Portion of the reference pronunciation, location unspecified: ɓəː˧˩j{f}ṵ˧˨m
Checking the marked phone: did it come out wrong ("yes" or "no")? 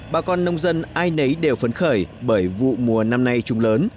yes